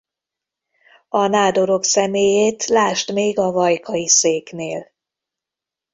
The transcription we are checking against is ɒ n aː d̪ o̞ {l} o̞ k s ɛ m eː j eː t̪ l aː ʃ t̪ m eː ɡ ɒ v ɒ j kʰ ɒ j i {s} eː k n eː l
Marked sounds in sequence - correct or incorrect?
incorrect: ɾ, correct

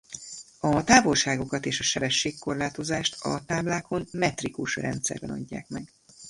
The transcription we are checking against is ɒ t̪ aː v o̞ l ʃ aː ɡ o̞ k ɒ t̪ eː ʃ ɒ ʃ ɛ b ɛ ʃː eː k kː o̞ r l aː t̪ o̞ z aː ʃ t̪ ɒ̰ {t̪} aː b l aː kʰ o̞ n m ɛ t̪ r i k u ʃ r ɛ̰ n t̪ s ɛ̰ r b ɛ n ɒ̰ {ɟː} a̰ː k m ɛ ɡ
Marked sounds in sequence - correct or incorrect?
correct, correct

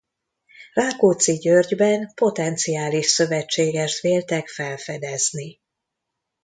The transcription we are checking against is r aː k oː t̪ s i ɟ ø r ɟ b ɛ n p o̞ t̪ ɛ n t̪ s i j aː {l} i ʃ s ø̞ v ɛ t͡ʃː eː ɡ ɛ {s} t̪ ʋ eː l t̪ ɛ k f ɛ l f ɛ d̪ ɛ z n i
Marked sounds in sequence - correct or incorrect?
correct, incorrect: ʃ

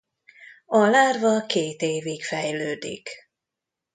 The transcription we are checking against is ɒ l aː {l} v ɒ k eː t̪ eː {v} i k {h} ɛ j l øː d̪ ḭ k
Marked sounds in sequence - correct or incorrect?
incorrect: r, correct, incorrect: f

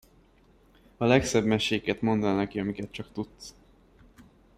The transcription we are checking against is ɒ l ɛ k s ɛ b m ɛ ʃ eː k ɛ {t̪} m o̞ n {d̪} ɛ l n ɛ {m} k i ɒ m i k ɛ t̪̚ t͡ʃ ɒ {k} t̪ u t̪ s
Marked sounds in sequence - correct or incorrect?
correct, correct, incorrect: none, correct

